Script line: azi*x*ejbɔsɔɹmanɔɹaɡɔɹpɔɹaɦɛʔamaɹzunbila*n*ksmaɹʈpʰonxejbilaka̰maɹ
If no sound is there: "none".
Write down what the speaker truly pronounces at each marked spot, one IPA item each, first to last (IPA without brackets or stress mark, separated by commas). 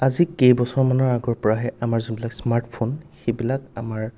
k, none